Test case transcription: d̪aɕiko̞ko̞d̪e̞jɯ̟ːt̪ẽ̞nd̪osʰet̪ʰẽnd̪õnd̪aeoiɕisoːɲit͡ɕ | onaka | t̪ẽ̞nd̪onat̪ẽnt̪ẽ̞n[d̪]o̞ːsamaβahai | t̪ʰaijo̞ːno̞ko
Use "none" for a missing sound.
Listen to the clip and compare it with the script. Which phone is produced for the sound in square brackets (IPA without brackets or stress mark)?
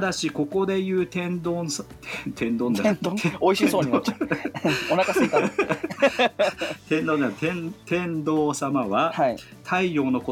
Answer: d̪